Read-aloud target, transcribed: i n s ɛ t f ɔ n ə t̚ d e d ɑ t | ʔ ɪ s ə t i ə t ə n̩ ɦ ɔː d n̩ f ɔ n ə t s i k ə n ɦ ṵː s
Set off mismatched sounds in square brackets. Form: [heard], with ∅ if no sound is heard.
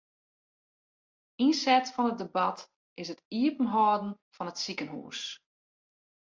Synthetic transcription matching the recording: i n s ɛ t f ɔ n ə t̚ d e [b] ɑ t | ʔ ɪ s ə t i ə [p] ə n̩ ɦ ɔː d n̩ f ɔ n ə t s i k ə n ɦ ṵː s